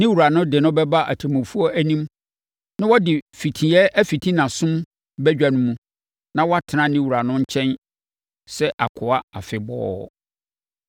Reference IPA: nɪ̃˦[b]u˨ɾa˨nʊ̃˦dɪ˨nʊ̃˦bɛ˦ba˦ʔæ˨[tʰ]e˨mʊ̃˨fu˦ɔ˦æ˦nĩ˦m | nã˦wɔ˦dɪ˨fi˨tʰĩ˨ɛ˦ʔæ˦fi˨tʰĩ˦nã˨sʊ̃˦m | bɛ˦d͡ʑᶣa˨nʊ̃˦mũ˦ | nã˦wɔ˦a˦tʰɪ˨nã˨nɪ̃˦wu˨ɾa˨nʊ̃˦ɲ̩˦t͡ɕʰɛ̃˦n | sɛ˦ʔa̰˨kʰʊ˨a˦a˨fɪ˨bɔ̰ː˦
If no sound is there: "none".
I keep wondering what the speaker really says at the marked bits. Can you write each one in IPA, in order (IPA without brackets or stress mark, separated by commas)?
w, tʰ